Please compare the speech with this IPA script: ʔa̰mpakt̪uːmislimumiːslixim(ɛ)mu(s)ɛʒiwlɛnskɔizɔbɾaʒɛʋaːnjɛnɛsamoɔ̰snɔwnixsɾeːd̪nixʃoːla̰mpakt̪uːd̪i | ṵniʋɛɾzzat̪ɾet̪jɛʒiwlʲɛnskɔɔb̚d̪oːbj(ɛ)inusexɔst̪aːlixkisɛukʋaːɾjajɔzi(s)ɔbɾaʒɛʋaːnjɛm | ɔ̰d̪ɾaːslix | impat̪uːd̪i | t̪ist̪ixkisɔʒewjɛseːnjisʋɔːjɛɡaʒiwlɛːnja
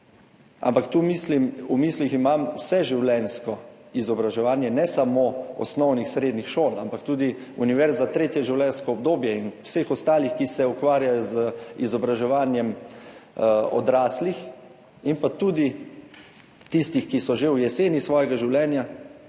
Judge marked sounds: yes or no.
no, yes, yes, no

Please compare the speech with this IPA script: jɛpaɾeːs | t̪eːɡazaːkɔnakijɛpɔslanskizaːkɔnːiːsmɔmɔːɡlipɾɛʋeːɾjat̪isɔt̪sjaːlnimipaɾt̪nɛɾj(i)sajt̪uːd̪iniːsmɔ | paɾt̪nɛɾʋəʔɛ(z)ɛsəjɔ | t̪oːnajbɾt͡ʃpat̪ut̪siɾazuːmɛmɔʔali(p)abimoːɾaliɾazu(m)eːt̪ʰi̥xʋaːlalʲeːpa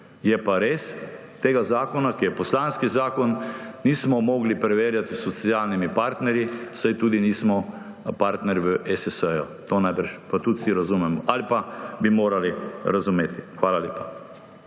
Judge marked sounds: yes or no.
yes, no, yes, yes

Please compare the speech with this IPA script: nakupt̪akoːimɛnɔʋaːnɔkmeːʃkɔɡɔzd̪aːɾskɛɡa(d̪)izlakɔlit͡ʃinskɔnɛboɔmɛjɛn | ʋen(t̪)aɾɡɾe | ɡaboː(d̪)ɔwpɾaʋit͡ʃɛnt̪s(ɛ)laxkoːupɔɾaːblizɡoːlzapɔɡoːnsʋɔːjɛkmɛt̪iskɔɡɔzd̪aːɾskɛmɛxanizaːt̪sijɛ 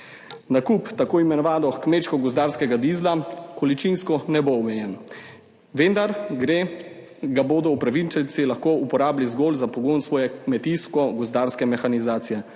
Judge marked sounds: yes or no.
yes, no, yes, no

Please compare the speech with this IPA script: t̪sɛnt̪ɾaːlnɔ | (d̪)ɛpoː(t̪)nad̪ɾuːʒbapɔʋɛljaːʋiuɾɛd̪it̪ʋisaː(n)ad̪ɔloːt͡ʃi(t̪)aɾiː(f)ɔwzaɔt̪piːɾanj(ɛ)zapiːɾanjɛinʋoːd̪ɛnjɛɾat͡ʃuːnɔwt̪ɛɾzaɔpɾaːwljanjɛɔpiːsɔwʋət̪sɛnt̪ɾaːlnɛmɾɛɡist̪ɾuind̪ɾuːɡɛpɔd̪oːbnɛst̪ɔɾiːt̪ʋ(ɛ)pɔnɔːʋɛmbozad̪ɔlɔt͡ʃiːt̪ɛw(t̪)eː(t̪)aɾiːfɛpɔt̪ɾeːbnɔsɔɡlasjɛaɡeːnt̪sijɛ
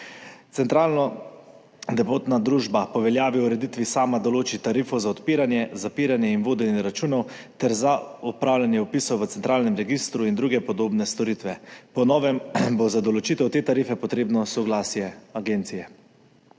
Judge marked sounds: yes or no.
yes, yes, no, yes, yes, yes, yes, yes, yes

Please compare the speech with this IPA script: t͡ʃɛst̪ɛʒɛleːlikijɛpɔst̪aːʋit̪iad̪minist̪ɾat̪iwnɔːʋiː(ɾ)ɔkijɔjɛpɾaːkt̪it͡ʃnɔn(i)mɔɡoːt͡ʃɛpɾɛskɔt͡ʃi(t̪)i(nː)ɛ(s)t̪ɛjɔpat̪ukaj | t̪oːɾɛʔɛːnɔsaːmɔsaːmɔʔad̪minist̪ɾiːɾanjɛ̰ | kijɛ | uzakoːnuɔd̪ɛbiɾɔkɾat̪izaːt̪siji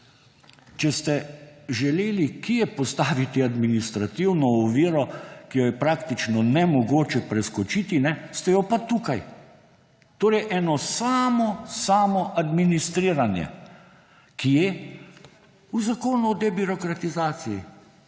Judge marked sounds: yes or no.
yes, no, yes, no, yes

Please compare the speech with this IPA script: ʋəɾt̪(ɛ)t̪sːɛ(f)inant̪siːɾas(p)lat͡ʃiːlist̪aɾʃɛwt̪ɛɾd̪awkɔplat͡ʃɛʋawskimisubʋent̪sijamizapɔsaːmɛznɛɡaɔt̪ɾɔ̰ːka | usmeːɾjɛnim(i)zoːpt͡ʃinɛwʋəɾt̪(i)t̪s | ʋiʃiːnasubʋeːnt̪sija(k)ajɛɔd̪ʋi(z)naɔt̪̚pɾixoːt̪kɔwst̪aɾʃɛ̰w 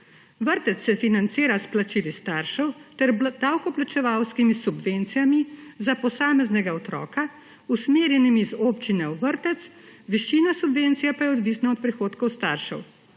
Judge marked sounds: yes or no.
yes, yes, yes, yes, no, no, no

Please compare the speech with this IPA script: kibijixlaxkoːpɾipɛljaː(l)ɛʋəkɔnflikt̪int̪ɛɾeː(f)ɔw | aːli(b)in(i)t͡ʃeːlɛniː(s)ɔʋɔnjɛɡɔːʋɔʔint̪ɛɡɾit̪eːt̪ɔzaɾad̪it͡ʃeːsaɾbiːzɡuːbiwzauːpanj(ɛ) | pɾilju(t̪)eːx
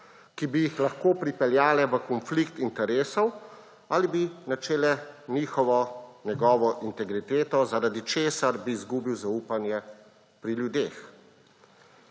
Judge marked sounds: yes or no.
yes, no, yes, no, no, yes, no

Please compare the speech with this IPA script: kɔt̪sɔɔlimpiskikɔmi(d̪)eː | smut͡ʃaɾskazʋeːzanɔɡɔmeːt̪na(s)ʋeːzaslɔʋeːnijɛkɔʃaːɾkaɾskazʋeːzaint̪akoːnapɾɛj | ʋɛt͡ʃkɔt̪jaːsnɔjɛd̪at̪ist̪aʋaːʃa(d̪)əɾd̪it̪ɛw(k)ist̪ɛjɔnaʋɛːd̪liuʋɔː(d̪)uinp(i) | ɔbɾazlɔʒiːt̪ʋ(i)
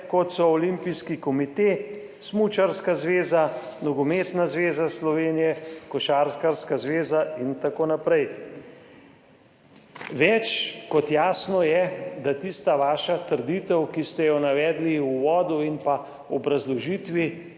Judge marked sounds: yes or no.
no, no, no, yes, yes, no, yes

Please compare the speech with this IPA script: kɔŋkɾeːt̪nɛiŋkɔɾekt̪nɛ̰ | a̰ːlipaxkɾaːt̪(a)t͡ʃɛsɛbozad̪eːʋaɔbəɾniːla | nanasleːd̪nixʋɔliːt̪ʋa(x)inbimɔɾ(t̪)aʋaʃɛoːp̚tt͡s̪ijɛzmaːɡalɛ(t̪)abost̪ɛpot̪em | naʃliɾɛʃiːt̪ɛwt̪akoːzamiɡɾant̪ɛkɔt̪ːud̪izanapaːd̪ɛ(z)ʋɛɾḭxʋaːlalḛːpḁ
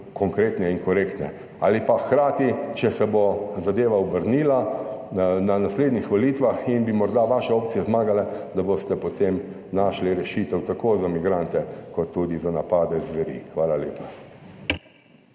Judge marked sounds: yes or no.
no, yes, no, no, yes

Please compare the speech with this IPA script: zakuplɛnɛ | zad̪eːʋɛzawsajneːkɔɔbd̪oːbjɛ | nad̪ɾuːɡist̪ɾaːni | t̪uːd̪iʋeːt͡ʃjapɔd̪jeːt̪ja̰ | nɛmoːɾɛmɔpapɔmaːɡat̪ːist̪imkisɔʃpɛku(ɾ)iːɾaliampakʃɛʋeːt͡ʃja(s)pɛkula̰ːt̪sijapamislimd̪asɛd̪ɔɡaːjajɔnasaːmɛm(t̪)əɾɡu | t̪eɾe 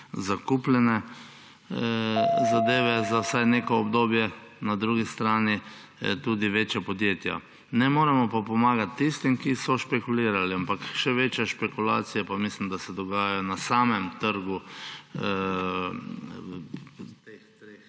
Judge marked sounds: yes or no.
no, no, yes

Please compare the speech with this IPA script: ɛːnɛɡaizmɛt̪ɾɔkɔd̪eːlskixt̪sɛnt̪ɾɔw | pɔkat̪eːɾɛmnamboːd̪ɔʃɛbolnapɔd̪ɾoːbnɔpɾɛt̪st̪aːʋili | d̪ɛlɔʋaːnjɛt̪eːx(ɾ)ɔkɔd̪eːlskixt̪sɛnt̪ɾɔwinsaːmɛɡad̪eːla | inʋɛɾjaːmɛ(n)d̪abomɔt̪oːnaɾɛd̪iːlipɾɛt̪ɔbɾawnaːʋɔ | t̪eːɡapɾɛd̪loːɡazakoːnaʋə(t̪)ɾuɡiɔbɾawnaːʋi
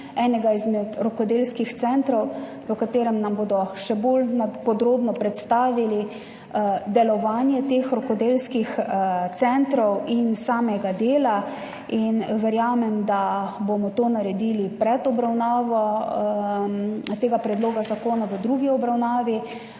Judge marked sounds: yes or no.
yes, no, no

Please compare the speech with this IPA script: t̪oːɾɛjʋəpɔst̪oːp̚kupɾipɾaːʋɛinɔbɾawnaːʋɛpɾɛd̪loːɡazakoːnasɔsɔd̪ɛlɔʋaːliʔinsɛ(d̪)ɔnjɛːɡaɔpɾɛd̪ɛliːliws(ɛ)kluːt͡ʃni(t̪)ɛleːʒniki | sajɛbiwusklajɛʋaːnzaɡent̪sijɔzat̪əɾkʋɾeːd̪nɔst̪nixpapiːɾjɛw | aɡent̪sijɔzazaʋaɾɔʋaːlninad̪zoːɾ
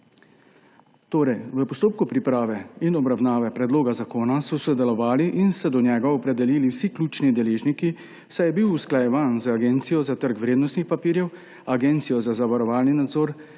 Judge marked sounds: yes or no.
yes, no, no

